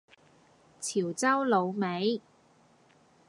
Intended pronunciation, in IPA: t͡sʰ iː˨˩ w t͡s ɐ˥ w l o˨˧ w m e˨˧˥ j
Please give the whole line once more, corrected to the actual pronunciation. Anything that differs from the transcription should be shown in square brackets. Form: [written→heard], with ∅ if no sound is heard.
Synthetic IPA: t͡sʰ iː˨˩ w t͡s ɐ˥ w l o˨˧ w m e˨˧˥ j